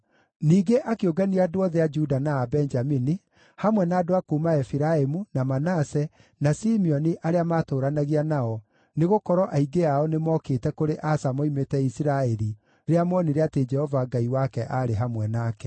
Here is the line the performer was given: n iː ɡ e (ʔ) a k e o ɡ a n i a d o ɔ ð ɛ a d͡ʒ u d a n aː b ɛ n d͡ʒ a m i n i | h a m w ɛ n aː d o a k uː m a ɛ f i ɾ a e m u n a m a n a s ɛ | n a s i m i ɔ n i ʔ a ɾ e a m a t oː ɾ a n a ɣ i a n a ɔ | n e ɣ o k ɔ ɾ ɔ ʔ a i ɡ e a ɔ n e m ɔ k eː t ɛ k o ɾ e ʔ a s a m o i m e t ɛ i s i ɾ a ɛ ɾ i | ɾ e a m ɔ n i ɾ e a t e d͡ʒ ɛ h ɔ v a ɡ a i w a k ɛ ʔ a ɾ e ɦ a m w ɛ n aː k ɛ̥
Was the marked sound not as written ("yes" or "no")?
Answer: no